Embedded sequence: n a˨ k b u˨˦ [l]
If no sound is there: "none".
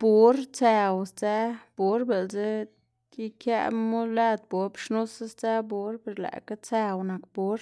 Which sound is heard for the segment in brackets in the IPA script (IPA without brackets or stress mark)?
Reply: ɾ